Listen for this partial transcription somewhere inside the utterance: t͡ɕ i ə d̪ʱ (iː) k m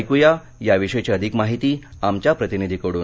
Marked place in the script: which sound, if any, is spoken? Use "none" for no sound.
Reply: i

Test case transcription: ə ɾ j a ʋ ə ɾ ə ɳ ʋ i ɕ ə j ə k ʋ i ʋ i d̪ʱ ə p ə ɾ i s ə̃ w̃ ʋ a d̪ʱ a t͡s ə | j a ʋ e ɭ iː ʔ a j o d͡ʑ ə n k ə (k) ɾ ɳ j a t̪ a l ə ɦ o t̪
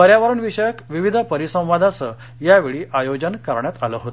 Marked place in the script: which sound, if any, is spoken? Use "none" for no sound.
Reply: none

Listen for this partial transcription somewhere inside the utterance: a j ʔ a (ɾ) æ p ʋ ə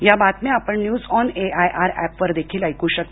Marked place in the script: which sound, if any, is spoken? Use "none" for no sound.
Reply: ɾ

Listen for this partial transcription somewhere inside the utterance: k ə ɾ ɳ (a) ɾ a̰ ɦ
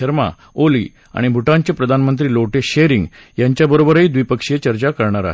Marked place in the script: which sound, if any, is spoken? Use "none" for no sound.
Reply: a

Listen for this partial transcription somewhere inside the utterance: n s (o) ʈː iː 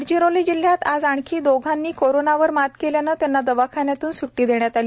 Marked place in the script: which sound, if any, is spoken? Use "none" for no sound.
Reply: u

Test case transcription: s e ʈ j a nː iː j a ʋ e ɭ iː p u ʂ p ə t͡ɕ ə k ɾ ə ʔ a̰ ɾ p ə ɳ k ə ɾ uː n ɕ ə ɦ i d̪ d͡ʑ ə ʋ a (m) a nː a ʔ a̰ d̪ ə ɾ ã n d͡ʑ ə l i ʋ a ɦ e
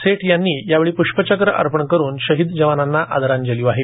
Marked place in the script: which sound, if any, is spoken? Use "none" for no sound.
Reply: n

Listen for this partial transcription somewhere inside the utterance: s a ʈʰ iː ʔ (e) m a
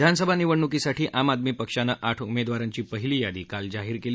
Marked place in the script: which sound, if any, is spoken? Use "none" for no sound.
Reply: a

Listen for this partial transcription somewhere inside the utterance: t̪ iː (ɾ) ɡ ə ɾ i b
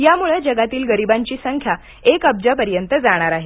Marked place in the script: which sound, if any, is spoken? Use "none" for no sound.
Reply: l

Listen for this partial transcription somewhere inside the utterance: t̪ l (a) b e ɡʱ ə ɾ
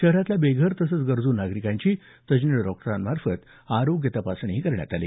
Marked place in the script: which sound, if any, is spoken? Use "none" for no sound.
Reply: a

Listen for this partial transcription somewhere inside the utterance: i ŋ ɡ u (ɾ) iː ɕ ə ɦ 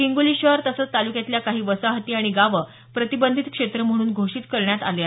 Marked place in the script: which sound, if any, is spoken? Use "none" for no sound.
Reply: l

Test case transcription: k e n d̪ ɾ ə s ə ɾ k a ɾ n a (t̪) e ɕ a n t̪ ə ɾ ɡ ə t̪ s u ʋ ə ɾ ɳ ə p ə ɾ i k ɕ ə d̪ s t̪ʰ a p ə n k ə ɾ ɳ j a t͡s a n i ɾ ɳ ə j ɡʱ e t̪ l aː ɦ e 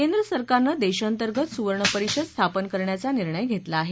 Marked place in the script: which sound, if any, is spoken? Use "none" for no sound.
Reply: d̪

